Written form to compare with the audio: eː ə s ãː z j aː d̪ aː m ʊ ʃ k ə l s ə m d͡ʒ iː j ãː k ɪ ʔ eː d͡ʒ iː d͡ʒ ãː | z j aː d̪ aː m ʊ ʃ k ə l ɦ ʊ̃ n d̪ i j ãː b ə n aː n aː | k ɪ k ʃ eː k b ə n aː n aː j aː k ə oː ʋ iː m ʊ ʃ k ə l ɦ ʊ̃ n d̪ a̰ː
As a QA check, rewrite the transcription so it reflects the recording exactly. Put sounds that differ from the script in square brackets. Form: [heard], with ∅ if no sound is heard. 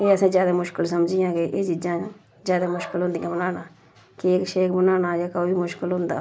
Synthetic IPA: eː ə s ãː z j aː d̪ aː m ʊ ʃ k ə l s ə m d͡ʒ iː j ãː k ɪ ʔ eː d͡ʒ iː d͡ʒ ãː | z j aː d̪ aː m ʊ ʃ k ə l ɦ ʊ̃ n d̪ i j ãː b ə n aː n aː | k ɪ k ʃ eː k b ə n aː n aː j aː k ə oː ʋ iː m ʊ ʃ k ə l ɦ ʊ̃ n d̪ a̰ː

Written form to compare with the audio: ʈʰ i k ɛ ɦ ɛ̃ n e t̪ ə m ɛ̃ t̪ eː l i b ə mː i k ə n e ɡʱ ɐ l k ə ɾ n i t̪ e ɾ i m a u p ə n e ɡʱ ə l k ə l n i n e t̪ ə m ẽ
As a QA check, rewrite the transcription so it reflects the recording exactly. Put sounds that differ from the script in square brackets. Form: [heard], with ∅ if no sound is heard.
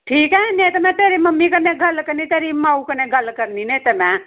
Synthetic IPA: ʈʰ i k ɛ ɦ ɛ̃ n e t̪ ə m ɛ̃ t̪ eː [ɾ] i [m] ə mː i k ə n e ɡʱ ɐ l k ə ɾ n i t̪ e ɾ i m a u [k] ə n e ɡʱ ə l k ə [ɾ] n i n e t̪ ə m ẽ

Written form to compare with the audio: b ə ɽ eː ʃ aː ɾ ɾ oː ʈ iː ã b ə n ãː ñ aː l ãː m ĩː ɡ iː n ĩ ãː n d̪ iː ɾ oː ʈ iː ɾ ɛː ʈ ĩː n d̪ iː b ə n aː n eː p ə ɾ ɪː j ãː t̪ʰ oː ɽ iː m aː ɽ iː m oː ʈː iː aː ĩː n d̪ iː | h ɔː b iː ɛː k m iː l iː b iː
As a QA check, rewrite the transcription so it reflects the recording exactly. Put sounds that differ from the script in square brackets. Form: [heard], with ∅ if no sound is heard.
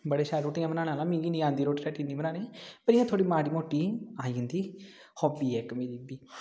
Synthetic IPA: b ə ɽ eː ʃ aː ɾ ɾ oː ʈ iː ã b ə n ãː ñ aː l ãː m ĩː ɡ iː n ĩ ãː n d̪ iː ɾ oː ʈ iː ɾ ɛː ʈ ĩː n d̪ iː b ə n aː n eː p ə ɾ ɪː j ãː t̪ʰ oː ɽ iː m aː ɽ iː m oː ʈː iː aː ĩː n d̪ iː | h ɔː b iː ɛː k m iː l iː b iː

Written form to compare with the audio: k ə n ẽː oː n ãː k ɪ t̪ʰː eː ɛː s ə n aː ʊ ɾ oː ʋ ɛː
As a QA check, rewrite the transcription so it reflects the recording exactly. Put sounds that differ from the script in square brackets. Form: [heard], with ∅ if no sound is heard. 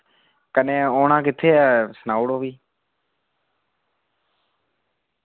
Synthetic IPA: k ə n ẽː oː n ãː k ɪ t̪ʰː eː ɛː s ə n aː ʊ [ɽ] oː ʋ [iː]

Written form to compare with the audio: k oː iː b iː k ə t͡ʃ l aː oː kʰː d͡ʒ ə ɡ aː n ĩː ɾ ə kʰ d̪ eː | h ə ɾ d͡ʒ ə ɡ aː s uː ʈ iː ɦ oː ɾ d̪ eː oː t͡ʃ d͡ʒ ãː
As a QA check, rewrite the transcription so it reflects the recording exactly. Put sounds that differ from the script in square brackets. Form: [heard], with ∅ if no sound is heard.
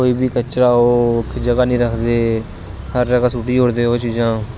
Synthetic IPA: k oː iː b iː k ə t͡ʃ [ɾ] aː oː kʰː d͡ʒ ə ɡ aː n ĩː ɾ ə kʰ d̪ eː | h ə ɾ d͡ʒ ə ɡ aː s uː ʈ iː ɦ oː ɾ d̪ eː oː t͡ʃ d͡ʒ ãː

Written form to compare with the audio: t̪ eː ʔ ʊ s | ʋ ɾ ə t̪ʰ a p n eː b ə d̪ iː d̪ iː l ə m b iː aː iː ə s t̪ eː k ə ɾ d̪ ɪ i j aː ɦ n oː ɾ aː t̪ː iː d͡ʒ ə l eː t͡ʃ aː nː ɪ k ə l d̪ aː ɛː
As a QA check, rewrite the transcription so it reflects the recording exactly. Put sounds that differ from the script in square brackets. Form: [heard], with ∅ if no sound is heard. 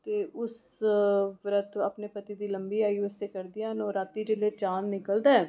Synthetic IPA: t̪ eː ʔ ʊ s | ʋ ɾ ə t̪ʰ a p n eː [p] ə [t̪] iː d̪ iː l ə m b iː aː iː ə s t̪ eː k ə ɾ d̪ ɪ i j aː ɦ n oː ɾ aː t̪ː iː d͡ʒ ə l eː t͡ʃ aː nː ɪ k ə l d̪ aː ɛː

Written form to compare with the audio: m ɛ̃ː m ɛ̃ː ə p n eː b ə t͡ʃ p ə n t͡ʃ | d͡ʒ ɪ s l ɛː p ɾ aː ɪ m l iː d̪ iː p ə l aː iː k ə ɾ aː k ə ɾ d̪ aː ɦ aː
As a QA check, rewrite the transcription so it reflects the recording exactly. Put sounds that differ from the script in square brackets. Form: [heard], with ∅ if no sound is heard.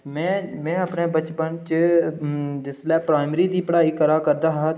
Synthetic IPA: m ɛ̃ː m ɛ̃ː ə p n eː b ə t͡ʃ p ə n t͡ʃ | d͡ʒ ɪ s l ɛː p ɾ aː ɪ m [ɾ] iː d̪ iː p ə [ɽ] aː iː k ə ɾ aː k ə ɾ d̪ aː ɦ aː

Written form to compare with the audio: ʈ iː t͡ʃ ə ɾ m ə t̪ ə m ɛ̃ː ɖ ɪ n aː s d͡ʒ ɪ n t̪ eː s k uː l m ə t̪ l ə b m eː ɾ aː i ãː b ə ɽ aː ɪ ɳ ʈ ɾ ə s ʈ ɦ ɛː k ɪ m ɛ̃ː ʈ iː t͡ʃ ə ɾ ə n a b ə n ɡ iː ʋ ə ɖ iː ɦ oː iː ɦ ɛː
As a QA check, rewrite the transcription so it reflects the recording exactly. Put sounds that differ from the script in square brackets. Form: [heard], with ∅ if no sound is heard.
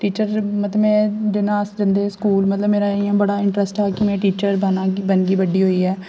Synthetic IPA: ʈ iː t͡ʃ ə ɾ m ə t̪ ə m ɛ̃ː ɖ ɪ n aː s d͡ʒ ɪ n [d̪] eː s k uː l m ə t̪ l ə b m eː ɾ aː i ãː b ə ɽ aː ɪ ɳ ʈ ɾ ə s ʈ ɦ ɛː k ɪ m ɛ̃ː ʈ iː t͡ʃ ə ɾ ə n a b ə n ɡ iː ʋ ə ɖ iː ɦ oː iː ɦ ɛː

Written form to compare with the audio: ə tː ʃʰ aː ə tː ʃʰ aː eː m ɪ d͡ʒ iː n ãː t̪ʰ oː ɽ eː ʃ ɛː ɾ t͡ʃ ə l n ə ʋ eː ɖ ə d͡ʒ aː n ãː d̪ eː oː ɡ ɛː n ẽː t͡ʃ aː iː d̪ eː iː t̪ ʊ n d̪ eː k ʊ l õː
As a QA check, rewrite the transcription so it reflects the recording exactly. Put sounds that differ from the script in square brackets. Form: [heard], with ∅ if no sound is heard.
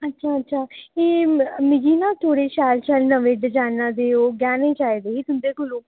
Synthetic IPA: ə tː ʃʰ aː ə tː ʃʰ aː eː m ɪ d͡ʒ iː n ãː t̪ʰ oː ɽ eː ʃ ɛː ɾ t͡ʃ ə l n ə ʋ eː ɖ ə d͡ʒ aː n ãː d̪ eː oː ɡ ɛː n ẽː t͡ʃ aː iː d̪ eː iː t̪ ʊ n d̪ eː k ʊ l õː

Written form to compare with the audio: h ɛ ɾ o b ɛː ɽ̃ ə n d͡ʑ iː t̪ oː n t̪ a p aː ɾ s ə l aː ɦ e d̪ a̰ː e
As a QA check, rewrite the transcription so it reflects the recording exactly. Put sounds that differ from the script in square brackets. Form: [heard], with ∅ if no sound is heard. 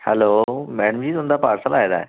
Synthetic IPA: h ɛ [l] o [m] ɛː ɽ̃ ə [m] d͡ʑ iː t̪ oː n [d̪] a p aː ɾ s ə l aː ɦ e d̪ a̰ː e

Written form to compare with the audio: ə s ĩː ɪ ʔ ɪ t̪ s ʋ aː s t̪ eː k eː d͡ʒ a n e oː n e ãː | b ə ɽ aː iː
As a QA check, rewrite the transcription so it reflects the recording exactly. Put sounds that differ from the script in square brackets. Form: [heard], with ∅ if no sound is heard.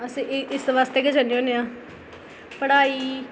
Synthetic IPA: ə s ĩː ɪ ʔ ɪ [∅] s ʋ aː s t̪ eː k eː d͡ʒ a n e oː n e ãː | [p] ə ɽ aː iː

